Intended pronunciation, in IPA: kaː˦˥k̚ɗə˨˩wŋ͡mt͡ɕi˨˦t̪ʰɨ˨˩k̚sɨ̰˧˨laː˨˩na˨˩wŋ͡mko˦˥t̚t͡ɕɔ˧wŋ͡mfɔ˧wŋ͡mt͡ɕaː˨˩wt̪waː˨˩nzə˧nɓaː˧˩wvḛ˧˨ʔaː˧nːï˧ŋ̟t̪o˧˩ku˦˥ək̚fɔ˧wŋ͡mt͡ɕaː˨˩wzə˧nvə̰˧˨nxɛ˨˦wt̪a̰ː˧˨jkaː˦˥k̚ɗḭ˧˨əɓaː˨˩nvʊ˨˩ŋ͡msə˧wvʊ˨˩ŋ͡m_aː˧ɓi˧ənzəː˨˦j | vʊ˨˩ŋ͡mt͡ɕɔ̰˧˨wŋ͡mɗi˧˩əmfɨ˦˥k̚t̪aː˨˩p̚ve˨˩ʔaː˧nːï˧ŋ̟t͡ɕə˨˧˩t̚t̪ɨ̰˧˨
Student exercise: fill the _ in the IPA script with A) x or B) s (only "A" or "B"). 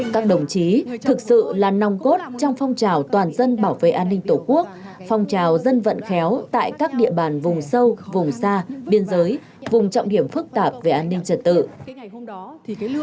B